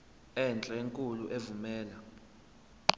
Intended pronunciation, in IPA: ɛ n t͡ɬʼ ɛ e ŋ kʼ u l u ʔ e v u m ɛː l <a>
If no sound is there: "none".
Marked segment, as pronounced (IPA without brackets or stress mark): a